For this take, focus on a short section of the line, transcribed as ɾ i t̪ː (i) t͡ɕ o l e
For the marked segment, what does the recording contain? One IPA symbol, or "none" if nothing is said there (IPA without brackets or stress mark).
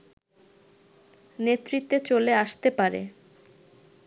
e